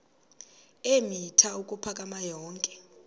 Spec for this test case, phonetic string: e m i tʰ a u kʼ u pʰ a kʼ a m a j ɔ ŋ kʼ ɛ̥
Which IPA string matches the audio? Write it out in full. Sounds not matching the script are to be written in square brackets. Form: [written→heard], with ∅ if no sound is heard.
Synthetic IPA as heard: e m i tʰ a u kʼ u pʰ a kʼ a m a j [ɔ→ɔː] ŋ kʼ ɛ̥